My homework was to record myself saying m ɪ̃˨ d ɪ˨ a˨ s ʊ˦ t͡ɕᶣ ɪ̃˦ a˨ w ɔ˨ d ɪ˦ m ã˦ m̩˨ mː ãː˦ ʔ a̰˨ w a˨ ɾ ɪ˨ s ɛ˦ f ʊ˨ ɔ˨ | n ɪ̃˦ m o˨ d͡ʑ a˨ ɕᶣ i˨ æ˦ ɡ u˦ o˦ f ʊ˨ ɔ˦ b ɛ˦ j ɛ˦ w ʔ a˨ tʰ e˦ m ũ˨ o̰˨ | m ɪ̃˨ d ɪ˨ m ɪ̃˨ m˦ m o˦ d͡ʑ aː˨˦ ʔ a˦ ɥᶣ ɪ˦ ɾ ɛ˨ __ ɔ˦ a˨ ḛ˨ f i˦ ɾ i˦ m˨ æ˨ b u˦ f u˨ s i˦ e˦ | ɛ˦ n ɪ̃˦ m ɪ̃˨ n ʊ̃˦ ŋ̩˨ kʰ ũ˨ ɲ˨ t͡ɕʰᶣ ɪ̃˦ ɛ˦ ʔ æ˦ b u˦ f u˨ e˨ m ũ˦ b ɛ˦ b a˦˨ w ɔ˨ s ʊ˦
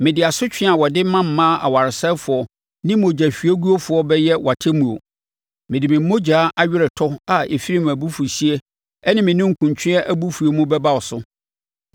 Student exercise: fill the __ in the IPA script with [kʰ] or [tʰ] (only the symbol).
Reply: tʰ